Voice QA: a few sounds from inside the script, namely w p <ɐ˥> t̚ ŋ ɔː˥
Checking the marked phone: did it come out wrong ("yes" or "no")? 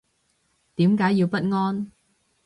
no